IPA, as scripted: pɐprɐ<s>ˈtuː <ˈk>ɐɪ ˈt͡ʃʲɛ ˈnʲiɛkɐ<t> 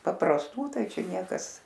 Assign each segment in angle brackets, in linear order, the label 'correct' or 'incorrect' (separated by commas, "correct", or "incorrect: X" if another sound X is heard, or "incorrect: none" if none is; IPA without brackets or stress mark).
correct, incorrect: t, incorrect: s